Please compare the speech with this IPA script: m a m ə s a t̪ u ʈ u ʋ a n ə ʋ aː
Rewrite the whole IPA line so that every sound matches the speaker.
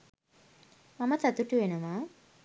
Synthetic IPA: m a m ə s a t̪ u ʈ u ʋ e n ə ʋ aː